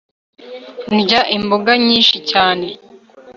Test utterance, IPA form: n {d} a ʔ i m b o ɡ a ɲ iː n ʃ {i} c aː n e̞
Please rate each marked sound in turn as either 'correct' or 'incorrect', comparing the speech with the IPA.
incorrect: ɟ, correct

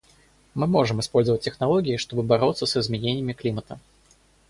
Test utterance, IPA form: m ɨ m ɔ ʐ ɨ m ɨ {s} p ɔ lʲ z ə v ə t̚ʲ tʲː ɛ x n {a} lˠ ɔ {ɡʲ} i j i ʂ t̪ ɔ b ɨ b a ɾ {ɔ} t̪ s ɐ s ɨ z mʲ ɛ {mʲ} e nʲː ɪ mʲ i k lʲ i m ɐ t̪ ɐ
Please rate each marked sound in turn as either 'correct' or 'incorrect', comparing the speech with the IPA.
correct, correct, correct, correct, incorrect: nʲ

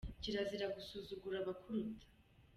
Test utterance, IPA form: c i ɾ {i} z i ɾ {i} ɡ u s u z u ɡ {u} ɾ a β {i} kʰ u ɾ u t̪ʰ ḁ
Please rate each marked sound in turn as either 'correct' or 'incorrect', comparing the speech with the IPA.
incorrect: a, incorrect: a, correct, incorrect: a

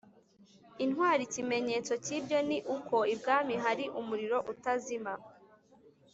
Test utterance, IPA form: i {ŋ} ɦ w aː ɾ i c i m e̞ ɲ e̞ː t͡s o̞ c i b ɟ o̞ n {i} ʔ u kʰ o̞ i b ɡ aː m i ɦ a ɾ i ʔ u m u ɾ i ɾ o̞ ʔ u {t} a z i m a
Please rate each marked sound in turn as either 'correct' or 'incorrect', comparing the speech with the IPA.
incorrect: n, correct, correct

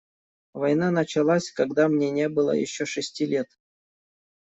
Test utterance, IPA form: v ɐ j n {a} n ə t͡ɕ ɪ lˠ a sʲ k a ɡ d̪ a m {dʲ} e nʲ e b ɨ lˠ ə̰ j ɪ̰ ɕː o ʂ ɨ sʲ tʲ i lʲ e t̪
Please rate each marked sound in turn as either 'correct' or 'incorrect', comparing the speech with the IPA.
correct, incorrect: nʲ

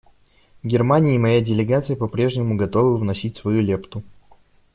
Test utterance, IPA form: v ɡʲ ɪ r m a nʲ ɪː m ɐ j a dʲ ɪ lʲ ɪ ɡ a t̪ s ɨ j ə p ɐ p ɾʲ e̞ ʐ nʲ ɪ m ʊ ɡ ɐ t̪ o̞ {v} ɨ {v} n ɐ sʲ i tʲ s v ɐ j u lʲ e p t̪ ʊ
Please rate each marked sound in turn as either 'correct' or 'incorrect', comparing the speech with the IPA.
correct, correct

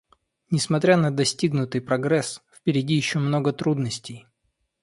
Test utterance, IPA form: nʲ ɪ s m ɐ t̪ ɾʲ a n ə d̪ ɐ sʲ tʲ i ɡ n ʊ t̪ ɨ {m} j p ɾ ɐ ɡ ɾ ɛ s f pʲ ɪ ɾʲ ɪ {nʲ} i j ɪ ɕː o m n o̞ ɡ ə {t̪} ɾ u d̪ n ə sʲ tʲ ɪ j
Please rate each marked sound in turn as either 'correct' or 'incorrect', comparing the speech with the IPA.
incorrect: none, incorrect: dʲ, correct

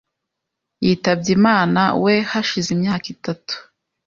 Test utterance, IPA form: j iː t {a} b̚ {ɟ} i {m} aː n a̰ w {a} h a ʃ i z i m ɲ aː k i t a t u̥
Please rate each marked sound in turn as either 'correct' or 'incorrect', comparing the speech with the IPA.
correct, correct, correct, incorrect: e

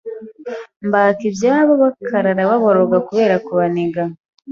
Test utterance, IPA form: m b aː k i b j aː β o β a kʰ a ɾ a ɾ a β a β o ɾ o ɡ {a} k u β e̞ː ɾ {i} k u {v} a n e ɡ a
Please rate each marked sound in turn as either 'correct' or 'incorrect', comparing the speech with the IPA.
correct, incorrect: a, incorrect: β

